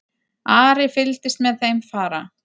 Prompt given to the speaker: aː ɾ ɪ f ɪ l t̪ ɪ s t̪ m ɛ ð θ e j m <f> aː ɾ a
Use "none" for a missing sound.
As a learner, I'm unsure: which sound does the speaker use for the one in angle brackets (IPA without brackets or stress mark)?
f